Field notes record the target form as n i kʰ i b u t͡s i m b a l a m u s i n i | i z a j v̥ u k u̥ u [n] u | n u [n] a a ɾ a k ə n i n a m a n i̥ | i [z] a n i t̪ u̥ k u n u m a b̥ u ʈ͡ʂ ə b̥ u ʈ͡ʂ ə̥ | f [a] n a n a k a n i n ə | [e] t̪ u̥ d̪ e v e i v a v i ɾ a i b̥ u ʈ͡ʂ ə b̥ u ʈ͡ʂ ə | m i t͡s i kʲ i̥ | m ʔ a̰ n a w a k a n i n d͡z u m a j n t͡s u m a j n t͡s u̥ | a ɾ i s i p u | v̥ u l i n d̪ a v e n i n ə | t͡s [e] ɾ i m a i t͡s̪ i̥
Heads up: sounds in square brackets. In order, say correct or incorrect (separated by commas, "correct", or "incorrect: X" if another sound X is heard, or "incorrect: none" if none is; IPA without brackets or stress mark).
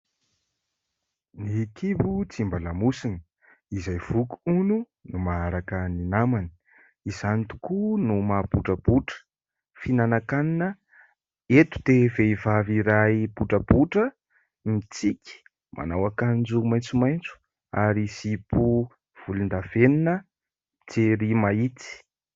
correct, incorrect: m, correct, incorrect: i, correct, correct